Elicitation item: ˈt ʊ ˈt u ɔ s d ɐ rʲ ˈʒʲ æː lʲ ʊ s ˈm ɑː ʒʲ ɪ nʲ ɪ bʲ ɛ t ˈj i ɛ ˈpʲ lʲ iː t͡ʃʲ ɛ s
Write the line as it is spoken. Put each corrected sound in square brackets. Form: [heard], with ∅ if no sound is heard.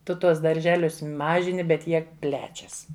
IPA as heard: ˈt ʊ ˈt u ɔ s d ɐ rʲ ˈʒʲ æː lʲ ʊ s ˈm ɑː ʒʲ ɪ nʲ ɪ bʲ ɛ t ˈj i ɛ ˈpʲ lʲ [æː] t͡ʃʲ ɛ s